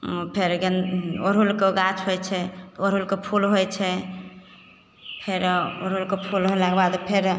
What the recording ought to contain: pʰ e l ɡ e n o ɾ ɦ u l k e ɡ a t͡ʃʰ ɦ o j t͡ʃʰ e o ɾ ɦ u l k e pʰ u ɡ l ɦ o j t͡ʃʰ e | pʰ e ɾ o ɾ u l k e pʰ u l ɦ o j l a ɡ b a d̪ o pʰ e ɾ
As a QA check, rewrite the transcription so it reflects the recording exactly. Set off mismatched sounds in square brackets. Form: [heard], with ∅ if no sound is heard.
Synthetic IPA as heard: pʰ e [ɾ] ɡ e n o ɾ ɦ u l k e ɡ a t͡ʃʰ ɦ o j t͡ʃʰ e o ɾ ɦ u l k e pʰ u [∅] l ɦ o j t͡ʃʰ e | pʰ e ɾ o ɾ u l k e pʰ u l ɦ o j l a ɡ b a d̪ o pʰ e ɾ